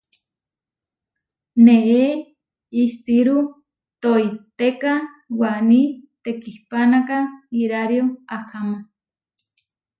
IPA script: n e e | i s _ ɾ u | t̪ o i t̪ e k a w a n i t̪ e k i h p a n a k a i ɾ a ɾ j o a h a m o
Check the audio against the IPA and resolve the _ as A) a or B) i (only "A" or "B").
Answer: B